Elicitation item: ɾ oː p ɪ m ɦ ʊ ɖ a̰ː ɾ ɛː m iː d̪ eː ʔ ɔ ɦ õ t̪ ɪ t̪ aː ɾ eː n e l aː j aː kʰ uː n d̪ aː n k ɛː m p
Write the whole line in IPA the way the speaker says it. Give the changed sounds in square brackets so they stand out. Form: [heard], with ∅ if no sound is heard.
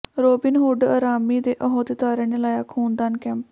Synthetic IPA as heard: ɾ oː [b] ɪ [n] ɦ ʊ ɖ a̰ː ɾ [aː] m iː d̪ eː ʔ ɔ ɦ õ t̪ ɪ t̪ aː ɾ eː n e l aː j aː kʰ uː n d̪ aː n k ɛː m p